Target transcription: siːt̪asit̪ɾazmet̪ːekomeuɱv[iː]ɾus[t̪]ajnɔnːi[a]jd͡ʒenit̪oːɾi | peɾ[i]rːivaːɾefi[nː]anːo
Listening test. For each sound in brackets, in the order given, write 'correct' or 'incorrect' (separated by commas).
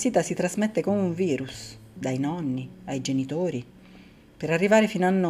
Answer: correct, incorrect, correct, incorrect, incorrect